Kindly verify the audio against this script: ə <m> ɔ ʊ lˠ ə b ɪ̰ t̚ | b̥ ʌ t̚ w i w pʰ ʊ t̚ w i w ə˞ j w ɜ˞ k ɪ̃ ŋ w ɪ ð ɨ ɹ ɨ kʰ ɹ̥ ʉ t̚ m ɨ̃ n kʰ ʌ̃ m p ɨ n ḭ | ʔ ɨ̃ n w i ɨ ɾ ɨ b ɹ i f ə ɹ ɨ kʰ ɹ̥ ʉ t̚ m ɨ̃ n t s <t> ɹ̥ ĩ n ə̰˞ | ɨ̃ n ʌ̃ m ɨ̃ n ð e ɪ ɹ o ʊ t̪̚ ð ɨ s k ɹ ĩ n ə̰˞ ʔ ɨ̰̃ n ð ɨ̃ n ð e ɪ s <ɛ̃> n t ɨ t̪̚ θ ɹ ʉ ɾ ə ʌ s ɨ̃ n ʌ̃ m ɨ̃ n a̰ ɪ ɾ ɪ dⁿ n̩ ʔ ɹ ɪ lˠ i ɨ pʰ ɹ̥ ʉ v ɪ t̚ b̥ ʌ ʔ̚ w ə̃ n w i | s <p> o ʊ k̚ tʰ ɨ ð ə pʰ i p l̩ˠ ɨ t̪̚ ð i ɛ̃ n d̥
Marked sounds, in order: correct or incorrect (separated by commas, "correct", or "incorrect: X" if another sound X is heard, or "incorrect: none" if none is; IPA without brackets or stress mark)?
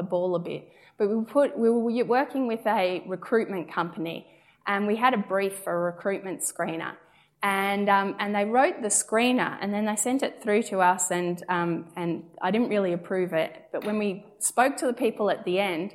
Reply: incorrect: b, incorrect: k, correct, correct